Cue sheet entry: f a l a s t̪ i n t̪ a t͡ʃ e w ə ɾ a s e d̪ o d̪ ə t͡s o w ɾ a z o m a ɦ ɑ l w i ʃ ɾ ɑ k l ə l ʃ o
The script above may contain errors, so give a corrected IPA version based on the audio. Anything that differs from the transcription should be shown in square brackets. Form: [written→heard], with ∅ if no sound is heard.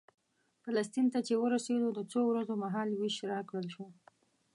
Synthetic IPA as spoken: f a l a s t̪ i n t̪ a t͡ʃ e w ə ɾ a s e d̪ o d̪ ə t͡s o w ɾ a z o m a ɦ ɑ l w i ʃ ɾ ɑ k [l→ɽ] ə l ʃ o